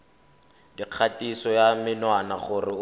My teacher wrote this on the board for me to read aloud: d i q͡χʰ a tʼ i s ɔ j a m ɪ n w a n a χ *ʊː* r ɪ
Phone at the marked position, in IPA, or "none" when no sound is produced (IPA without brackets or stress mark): ʊ